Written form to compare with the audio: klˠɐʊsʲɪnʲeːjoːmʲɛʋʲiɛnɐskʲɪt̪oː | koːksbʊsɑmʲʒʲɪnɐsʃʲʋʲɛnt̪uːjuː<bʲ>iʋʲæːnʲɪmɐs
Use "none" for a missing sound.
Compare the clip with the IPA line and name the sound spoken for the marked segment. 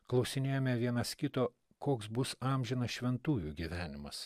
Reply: ɡʲ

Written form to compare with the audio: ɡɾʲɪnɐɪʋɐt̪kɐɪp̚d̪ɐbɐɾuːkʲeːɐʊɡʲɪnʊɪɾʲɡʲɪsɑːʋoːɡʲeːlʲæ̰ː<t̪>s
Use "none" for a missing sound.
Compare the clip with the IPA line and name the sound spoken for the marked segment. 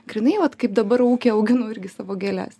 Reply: none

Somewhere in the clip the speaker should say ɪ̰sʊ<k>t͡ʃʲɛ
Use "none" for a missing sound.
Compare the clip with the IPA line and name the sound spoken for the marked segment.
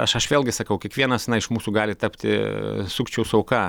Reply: k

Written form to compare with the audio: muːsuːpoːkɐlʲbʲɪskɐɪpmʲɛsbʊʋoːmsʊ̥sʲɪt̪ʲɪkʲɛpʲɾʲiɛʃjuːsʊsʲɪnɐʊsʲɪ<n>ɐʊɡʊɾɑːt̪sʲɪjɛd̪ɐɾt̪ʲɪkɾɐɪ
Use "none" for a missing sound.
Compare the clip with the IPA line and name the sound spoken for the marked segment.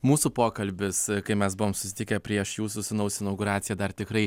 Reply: n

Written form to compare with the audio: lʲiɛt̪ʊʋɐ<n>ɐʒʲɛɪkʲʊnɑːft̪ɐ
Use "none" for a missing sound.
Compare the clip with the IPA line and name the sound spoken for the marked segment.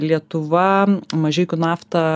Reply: m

